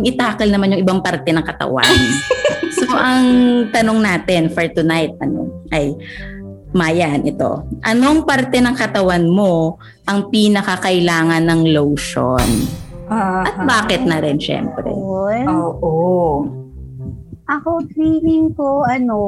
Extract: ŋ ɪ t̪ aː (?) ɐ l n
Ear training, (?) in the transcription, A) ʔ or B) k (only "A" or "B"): B